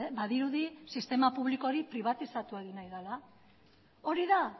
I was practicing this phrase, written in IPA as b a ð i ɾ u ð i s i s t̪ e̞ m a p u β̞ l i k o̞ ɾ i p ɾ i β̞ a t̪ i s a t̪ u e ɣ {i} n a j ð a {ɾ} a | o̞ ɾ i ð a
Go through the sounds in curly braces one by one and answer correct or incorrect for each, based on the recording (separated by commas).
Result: correct, incorrect